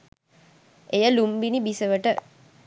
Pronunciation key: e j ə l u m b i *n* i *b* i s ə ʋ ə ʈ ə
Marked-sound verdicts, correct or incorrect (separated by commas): correct, correct